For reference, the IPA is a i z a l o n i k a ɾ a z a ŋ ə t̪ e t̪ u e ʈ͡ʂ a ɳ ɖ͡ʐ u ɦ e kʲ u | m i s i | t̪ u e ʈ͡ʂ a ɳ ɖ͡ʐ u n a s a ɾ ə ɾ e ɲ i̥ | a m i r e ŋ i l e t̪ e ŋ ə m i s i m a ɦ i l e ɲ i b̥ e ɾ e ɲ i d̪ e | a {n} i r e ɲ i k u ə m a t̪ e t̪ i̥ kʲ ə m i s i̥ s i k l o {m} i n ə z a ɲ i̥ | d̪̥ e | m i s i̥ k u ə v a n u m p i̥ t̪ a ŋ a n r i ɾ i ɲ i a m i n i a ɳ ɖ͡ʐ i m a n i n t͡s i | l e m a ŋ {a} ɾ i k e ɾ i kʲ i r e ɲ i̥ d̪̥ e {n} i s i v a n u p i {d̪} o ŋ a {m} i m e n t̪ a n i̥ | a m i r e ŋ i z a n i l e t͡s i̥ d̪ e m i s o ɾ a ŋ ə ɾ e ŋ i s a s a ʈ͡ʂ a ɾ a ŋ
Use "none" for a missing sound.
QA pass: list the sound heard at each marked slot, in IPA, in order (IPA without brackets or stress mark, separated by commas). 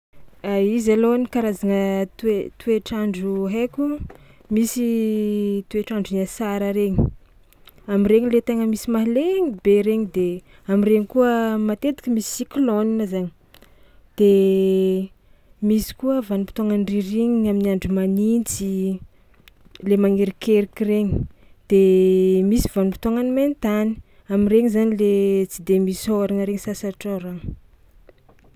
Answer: m, n, e, m, t̪, n